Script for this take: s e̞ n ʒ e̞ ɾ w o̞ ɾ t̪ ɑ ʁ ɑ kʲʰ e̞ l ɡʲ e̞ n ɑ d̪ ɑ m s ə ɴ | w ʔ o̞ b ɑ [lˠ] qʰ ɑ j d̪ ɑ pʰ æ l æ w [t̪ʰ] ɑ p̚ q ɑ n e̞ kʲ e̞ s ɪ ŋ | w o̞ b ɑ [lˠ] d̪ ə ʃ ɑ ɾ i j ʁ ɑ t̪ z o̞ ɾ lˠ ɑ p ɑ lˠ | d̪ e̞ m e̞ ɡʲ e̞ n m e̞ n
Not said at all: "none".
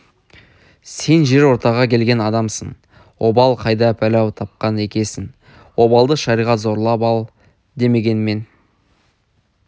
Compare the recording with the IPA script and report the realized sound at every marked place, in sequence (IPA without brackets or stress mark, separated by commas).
lˠ, t̪ʰ, lˠ